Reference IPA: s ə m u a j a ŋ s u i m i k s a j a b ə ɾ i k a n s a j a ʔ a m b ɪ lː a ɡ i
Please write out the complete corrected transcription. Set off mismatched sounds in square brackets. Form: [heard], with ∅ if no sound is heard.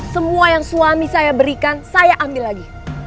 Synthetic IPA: s ə m u a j a ŋ s u [a] m i [∅] s a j a b ə ɾ i k a n s a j a ʔ a m b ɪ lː a ɡ i